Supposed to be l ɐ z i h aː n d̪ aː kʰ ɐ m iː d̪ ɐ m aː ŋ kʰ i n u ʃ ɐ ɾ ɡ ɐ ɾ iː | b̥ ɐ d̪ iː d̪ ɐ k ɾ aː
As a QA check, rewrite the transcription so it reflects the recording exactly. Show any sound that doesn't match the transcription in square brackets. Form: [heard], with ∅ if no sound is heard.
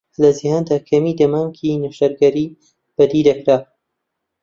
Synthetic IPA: l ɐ z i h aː n d̪ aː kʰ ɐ m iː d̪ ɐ m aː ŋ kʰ i n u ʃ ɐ ɾ ɡ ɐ ɾ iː | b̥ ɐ d̪ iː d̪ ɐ k ɾ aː